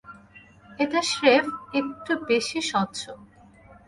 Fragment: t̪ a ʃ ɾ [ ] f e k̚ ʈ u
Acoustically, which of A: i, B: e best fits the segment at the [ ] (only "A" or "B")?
B